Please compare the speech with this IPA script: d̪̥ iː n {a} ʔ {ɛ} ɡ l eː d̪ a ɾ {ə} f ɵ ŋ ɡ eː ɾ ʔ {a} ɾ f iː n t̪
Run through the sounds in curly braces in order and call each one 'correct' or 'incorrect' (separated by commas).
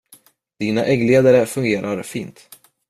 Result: correct, correct, correct, correct